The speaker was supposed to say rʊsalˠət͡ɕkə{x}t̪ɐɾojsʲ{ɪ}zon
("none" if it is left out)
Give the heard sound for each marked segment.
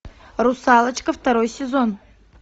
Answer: f, ɪ

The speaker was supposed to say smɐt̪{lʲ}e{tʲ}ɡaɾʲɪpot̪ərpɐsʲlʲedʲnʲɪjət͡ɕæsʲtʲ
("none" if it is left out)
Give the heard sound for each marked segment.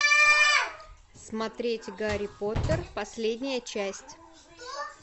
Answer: ɾʲ, tʲ

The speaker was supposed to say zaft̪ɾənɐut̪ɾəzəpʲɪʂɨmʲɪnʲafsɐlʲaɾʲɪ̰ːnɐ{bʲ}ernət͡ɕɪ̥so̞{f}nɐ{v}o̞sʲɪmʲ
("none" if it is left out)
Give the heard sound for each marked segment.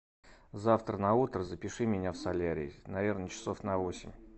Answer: vʲ, f, v

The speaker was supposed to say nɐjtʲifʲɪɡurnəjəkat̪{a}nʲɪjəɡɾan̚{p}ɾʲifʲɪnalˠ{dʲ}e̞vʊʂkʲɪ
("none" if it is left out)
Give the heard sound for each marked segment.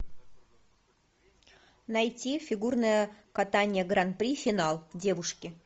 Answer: a, p, dʲ

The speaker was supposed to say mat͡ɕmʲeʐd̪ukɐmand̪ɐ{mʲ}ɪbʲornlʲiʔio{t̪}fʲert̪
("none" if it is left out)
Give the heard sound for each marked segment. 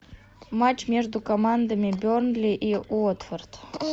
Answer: mʲ, t̪

